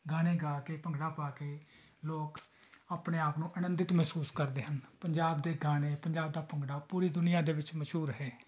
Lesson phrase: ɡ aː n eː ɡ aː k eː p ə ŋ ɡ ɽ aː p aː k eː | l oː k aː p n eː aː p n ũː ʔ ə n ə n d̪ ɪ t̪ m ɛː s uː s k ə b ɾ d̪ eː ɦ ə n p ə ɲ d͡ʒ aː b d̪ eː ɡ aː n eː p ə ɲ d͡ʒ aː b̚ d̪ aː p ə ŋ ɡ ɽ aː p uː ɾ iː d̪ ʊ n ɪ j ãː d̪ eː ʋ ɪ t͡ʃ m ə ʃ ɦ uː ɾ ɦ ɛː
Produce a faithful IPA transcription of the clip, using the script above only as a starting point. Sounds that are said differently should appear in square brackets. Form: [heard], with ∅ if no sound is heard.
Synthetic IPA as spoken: ɡ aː n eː ɡ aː k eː p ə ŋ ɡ ɽ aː p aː k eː | l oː k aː p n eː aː p n ũː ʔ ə n ə n d̪ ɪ t̪ m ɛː s uː s k ə [∅] ɾ d̪ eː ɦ ə n p ə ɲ d͡ʒ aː b d̪ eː ɡ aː n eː p ə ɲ d͡ʒ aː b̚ d̪ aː p ə ŋ ɡ ɽ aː p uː ɾ iː d̪ ʊ n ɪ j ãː d̪ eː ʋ ɪ t͡ʃ m ə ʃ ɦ uː ɾ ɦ ɛː